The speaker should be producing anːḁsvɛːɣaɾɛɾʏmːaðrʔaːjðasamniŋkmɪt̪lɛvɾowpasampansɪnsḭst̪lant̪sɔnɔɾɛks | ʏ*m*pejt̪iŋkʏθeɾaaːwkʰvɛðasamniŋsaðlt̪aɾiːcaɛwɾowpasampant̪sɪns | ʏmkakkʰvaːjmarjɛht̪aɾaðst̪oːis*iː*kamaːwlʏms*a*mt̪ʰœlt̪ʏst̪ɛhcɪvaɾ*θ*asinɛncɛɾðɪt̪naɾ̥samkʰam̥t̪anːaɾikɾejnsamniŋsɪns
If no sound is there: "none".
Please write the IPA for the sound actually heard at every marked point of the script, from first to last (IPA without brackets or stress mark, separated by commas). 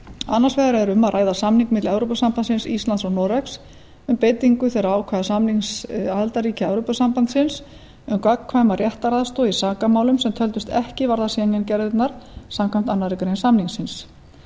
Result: m, aː, ɛ, ð